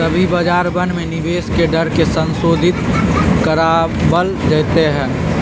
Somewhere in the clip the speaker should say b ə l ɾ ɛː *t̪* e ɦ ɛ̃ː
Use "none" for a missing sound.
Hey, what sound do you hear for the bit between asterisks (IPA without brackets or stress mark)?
t̪